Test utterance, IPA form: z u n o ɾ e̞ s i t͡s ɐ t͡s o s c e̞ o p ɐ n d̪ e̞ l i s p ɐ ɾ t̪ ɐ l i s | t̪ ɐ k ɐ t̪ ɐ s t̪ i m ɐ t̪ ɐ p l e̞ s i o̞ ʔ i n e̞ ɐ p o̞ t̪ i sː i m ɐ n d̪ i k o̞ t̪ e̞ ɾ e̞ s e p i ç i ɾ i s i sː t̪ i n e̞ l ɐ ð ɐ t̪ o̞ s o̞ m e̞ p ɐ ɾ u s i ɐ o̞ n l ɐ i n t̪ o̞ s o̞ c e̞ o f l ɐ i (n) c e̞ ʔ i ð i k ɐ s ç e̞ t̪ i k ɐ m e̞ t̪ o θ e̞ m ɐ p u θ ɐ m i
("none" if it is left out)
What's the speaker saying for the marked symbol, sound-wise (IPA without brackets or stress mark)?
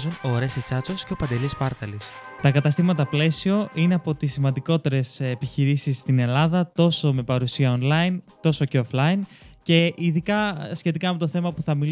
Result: n